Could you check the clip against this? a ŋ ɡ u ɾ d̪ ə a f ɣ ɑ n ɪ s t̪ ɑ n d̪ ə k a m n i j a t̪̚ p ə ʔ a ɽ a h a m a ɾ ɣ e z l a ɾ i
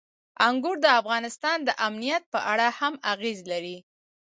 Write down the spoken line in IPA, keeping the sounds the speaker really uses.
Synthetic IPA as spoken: a ŋ ɡ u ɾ d̪ ə a f ɣ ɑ n ɪ s t̪ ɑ n d̪ ə ʔ a m n i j a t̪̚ p ə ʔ a ɽ a h a m a ɣ e z l a ɾ i